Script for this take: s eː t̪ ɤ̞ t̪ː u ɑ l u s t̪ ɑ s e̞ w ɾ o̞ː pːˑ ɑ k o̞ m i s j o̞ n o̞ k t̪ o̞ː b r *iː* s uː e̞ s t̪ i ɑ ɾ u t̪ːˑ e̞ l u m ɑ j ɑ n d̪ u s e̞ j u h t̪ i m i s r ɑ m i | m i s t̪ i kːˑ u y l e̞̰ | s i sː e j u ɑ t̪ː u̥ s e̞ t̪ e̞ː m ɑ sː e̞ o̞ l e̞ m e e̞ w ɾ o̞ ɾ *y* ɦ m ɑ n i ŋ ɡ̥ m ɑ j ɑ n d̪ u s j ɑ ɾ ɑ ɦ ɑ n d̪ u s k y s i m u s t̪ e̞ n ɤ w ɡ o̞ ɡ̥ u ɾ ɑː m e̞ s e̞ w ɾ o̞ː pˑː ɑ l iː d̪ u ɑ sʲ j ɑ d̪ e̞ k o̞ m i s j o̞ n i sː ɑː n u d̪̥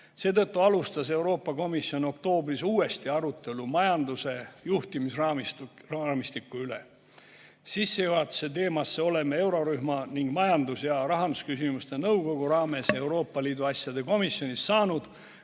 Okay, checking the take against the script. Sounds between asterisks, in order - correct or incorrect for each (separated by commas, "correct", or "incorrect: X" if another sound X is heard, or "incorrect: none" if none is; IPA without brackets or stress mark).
incorrect: i, correct